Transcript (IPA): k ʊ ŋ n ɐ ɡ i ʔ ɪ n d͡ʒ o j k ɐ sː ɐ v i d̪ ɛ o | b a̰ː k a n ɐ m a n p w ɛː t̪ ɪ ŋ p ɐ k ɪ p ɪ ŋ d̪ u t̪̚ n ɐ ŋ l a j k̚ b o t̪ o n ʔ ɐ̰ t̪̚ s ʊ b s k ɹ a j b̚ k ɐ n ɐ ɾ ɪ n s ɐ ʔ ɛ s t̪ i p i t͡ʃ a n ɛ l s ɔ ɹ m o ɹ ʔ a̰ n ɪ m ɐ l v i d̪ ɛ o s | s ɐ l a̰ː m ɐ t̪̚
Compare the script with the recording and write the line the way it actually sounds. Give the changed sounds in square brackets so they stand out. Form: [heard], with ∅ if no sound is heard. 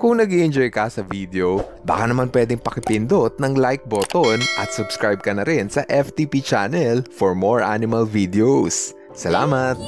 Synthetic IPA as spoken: k ʊ ŋ n ɐ ɡ i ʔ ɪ n d͡ʒ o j k ɐ [s] ɐ v i d̪ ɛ o | b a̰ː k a n ɐ m a n p w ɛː [d̪] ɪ ŋ p ɐ k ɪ p ɪ [n] d̪ [o] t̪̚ n ɐ ŋ l a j k̚ b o t̪ o n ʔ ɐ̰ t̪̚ s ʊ b s k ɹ a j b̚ k ɐ n ɐ ɾ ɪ n s ɐ ʔ ɛ [f] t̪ i p i t͡ʃ a n ɛ l [f] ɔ ɹ m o ɹ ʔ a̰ n ɪ m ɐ l v i d̪ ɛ o s | s ɐ l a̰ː m ɐ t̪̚